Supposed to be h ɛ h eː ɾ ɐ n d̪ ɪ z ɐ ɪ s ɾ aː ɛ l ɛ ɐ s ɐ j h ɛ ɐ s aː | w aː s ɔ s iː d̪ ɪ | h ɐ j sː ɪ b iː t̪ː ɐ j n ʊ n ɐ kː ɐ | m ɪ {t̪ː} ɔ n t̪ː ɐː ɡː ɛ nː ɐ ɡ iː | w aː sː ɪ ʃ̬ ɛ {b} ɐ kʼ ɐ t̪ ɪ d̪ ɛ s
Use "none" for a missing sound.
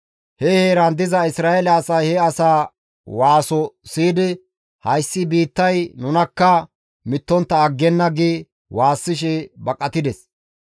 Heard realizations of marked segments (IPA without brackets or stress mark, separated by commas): t̪ː, b